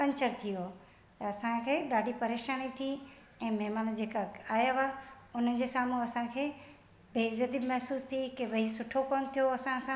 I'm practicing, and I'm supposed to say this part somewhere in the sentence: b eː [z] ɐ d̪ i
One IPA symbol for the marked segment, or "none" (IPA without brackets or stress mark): z